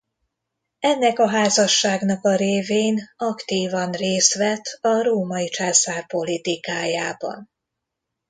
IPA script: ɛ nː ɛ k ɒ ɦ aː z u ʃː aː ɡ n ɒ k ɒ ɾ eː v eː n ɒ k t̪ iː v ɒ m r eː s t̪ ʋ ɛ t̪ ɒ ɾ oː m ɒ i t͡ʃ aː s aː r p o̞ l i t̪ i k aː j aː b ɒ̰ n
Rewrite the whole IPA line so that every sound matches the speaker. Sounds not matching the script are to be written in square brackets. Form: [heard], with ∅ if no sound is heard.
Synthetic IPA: ɛ nː ɛ k ɒ ɦ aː z [ɒ] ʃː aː ɡ n ɒ k ɒ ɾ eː v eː n ɒ k t̪ iː v ɒ [n] r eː s t̪ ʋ ɛ t̪ ɒ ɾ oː m ɒ i t͡ʃ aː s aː r p o̞ l i t̪ i k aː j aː b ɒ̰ n